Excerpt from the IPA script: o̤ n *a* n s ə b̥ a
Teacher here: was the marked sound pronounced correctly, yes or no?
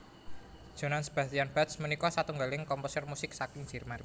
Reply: yes